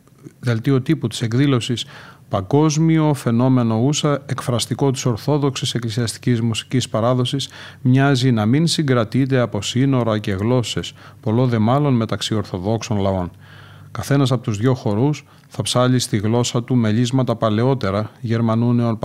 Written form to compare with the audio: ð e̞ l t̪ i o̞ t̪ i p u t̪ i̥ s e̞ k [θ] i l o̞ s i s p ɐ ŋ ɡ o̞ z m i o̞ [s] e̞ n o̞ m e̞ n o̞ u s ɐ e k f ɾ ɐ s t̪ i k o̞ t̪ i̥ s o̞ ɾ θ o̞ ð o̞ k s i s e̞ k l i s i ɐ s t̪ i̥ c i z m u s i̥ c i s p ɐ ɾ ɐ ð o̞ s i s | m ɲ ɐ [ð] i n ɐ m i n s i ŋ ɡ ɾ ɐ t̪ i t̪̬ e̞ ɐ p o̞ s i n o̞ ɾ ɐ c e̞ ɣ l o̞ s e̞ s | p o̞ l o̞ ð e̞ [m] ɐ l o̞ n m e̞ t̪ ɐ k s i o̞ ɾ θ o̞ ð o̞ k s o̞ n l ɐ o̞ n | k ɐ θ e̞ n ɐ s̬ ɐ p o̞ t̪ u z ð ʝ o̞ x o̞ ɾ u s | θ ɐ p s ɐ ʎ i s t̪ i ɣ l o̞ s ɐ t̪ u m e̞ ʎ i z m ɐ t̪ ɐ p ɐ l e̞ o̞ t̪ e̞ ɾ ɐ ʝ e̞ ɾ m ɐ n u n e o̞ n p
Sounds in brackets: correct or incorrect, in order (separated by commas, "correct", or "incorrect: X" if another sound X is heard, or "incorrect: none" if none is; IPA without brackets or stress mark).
incorrect: ð, incorrect: f, incorrect: z, correct